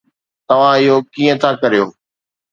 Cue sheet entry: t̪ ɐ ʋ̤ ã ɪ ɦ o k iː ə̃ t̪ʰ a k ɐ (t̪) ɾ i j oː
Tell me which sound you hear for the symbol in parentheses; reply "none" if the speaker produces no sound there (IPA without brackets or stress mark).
none